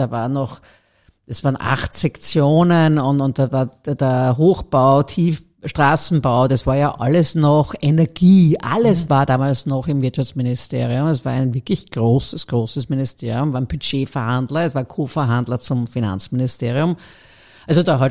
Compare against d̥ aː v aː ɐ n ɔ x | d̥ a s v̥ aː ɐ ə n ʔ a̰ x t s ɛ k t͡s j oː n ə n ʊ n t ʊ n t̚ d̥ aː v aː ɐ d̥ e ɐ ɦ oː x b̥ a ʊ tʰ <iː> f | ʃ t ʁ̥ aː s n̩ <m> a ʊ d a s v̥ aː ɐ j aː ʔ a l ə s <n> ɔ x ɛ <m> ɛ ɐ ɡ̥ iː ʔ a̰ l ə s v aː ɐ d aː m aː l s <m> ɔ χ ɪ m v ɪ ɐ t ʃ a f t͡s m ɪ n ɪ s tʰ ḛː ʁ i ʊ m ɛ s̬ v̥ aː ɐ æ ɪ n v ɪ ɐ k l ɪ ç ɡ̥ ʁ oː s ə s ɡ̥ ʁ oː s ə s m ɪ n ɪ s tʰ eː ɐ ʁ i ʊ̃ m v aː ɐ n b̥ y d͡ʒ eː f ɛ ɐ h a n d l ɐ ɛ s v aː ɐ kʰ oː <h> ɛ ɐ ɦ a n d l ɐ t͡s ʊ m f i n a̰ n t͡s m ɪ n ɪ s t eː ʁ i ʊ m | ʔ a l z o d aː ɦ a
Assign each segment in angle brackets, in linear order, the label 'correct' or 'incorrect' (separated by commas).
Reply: correct, incorrect, correct, incorrect, incorrect, incorrect